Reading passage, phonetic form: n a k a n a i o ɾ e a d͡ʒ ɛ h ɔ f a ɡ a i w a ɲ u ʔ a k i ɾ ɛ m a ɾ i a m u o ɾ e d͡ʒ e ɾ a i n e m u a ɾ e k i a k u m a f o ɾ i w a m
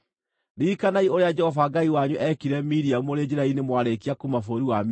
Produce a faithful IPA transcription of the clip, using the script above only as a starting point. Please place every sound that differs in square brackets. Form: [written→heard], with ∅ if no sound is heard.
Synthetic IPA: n [a→i] k a n a i o ɾ e a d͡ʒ ɛ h ɔ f a ɡ a i w a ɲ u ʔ [a→ɛ] k i ɾ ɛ m [a→i] ɾ i a m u o ɾ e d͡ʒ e ɾ a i n e m [u→w] a ɾ e k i a k u m a f o ɾ i w a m